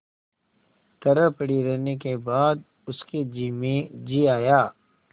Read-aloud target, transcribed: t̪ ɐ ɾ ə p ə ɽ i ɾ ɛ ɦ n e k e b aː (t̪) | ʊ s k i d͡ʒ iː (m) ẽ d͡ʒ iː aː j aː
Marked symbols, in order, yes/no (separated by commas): no, yes